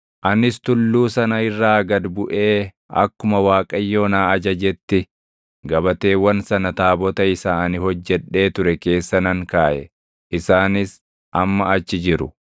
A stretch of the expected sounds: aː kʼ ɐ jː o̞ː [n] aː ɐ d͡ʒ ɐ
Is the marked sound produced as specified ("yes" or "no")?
yes